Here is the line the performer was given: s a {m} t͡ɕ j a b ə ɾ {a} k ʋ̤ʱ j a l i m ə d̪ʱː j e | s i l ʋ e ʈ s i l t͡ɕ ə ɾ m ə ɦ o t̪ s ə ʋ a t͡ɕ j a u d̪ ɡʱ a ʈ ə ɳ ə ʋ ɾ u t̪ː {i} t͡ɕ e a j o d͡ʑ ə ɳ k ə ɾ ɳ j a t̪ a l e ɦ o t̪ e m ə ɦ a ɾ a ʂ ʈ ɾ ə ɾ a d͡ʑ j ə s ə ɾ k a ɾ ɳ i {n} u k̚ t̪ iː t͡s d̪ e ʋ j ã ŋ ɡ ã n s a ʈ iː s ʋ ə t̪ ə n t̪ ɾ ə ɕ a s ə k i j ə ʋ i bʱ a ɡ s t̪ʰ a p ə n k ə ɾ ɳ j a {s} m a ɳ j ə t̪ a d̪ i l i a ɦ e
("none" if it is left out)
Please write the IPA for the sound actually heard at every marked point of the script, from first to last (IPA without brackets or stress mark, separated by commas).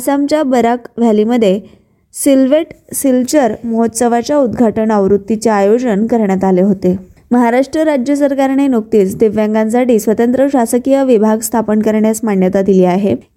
m, a, i, n, s